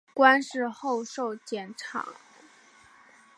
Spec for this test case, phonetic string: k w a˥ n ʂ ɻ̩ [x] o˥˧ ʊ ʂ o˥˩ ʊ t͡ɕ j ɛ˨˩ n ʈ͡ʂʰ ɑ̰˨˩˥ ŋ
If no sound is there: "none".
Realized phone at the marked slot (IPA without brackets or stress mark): x